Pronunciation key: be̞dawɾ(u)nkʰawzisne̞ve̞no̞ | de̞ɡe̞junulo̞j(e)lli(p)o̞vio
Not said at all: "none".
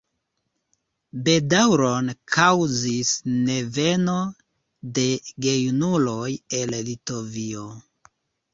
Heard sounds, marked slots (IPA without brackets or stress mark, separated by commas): o, e, t